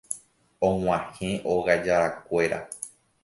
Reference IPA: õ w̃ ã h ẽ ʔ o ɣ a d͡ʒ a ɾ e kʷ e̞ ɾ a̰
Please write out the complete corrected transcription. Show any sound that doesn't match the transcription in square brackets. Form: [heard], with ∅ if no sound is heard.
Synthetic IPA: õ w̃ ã h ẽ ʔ o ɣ a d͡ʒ a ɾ [a] kʷ e̞ ɾ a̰

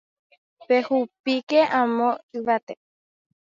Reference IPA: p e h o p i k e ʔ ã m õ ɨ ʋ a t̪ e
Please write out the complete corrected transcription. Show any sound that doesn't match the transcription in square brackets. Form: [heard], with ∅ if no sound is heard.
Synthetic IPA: p e h [u] p i k e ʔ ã m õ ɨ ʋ a t̪ e

